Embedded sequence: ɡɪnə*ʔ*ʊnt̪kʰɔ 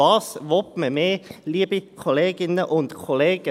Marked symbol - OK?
yes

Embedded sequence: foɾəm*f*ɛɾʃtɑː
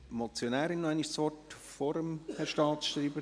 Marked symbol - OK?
no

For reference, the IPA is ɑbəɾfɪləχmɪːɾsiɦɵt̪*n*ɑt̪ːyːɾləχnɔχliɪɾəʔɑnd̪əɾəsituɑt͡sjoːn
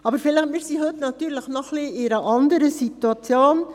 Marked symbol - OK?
yes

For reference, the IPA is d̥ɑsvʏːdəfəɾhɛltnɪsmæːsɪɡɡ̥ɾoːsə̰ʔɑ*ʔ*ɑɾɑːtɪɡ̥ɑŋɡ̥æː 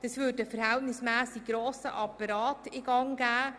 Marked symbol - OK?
no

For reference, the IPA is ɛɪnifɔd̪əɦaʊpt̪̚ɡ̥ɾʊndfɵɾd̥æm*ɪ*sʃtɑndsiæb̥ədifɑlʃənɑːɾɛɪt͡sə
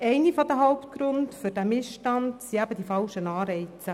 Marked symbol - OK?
yes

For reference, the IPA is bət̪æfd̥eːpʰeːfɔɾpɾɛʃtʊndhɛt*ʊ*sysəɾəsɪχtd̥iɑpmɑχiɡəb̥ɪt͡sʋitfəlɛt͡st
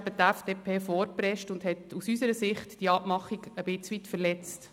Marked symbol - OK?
no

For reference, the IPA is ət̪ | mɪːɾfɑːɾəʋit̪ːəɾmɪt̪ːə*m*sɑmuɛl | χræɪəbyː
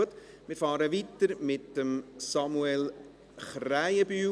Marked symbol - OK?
yes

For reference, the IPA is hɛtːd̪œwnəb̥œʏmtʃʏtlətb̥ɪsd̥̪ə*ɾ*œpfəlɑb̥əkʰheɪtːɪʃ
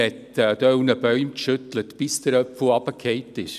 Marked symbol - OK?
yes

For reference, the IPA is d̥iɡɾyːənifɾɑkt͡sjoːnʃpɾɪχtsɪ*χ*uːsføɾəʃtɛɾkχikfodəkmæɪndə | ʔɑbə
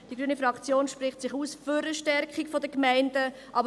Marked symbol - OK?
yes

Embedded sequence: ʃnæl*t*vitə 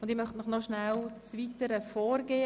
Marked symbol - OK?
no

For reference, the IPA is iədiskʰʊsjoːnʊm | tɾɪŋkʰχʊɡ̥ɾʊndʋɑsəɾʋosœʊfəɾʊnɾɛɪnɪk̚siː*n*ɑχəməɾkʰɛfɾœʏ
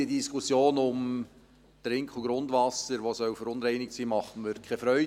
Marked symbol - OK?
no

